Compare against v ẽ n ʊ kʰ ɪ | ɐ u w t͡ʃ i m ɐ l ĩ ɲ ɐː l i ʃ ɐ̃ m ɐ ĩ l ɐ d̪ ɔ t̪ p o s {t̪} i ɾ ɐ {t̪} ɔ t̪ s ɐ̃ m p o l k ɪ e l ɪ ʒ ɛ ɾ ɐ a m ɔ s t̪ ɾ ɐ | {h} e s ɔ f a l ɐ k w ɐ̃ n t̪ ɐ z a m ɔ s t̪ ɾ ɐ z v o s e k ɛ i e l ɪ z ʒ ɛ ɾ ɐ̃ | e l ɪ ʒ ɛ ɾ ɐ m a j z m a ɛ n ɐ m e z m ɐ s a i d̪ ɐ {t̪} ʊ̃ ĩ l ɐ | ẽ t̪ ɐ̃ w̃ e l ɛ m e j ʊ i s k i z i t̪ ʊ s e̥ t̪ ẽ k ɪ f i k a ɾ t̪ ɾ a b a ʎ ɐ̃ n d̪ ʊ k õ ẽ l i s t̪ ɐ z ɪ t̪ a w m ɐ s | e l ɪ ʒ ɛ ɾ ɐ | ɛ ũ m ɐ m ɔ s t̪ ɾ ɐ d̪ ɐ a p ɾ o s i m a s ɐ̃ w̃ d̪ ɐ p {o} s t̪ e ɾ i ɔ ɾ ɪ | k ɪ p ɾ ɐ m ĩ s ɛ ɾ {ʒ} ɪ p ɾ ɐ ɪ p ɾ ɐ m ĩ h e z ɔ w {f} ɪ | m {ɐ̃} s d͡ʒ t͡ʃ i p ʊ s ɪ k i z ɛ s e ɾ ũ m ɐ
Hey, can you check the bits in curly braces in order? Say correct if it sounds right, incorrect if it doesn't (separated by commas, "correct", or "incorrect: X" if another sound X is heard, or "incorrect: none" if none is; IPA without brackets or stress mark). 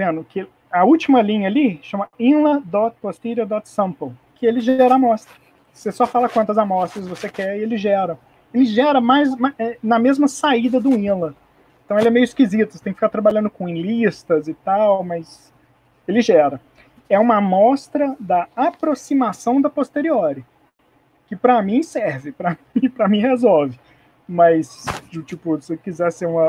correct, incorrect: d̪, incorrect: s, incorrect: d̪, correct, incorrect: v, incorrect: v, incorrect: ɐ